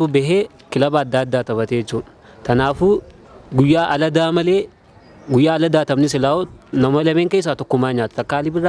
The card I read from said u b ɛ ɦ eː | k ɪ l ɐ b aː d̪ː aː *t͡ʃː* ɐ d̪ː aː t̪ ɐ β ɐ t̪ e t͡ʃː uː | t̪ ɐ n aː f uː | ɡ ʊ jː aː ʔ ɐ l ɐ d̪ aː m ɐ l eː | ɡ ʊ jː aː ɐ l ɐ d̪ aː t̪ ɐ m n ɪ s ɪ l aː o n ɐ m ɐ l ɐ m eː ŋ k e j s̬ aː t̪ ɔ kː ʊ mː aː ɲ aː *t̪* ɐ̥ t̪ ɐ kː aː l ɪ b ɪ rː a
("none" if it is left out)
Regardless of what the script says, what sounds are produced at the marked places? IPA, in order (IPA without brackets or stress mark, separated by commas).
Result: none, t̪